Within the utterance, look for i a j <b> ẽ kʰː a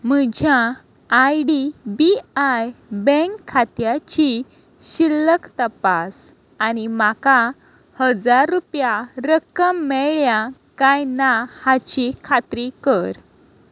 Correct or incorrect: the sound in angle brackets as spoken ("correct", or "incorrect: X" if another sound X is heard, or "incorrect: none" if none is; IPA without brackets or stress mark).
correct